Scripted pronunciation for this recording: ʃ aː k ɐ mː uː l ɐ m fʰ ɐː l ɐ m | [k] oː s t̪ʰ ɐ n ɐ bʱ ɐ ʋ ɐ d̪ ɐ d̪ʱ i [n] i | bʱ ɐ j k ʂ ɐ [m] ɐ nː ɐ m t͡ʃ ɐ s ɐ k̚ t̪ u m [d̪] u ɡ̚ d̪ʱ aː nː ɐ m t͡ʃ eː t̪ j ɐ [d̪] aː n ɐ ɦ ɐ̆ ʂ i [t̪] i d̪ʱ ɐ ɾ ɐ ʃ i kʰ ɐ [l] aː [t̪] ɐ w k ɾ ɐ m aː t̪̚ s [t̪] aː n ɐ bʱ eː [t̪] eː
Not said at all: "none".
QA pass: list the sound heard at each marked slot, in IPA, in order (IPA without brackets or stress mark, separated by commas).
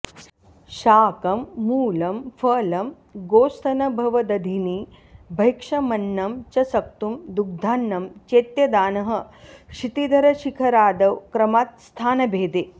ɡ, n, m, d̪, d̪, t̪, ɾ, d̪, t̪ʰ, d̪